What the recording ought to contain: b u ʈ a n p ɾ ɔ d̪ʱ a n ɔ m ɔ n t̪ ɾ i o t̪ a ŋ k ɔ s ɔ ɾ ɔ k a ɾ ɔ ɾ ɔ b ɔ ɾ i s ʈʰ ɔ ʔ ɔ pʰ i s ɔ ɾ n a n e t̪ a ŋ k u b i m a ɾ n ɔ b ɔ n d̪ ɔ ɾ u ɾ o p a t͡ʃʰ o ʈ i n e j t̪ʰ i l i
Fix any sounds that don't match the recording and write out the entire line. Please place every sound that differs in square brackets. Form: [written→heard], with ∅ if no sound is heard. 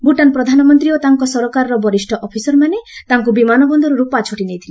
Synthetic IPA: b u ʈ a n p ɾ ɔ d̪ʱ a n ɔ m ɔ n t̪ ɾ i o t̪ a ŋ k ɔ s ɔ ɾ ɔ k a ɾ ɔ ɾ ɔ b ɔ ɾ i s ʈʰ ɔ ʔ ɔ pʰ i s ɔ ɾ [n→m] a n e t̪ a ŋ k u b i m a [ɾ→∅] n ɔ b ɔ n d̪ ɔ ɾ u ɾ [o→u] p a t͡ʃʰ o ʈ i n e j t̪ʰ i l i